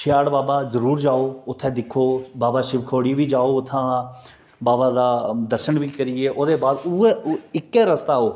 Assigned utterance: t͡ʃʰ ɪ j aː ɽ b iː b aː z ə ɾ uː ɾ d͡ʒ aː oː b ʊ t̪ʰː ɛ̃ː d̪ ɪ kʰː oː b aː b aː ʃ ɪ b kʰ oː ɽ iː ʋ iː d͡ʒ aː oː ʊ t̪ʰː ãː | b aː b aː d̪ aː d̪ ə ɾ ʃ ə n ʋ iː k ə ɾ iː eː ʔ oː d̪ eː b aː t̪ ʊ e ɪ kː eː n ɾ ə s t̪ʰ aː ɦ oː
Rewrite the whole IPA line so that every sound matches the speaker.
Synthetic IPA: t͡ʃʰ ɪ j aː ɽ b aː b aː z ə ɾ uː ɾ d͡ʒ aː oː ʊ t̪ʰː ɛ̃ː d̪ ɪ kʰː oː b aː b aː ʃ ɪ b kʰ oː ɽ iː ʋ iː d͡ʒ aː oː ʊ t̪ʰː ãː | b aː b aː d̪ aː d̪ ə ɾ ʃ ə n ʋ iː k ə ɾ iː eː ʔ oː d̪ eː b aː d̪ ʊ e ɪ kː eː ɾ ə s t̪ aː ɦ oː